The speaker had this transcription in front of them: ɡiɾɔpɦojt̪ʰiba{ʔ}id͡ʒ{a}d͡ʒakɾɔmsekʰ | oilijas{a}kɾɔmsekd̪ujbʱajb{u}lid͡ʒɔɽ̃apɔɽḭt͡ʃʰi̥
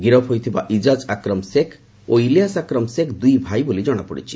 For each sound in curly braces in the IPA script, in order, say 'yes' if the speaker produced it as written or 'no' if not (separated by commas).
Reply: yes, yes, yes, no